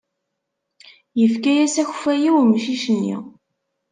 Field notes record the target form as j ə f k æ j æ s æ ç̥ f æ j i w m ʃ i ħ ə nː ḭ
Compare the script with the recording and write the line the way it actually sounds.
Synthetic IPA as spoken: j ə f k æ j æ s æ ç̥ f æ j i w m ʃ i ʃ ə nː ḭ

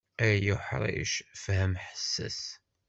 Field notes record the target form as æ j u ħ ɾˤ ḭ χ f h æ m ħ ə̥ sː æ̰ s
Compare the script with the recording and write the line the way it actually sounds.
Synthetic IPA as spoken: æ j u ħ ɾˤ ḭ ʃ f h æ m ħ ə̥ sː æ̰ s

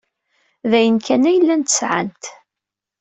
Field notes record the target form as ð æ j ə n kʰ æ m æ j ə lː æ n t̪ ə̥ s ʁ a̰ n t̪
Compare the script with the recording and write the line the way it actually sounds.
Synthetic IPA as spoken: ð æ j ə n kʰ æ n æ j ə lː æ n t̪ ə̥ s ʕ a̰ n t̪

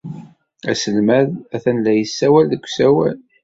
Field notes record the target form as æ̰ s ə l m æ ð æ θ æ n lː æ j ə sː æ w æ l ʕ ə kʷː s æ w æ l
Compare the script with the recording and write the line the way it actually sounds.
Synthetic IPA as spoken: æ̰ s ə l m æ ð æ θ æ n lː æ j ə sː æ w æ l ð ə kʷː s æ w æ l

